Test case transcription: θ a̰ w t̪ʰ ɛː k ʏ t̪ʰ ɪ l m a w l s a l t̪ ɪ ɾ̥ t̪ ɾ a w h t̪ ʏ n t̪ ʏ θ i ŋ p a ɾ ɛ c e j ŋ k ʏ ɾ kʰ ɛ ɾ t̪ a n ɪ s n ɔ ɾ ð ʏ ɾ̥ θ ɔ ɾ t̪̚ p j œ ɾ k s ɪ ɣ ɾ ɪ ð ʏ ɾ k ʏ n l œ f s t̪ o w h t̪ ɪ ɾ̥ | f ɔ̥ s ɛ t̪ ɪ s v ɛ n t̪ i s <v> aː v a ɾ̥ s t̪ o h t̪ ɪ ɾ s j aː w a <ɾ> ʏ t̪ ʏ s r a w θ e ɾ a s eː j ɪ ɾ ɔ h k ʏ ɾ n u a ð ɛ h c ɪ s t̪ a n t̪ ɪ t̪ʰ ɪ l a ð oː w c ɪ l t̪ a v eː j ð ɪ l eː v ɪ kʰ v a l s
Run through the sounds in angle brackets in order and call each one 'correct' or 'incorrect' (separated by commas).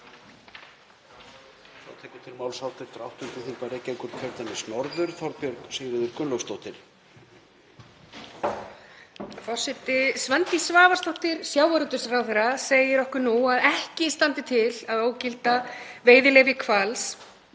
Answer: correct, correct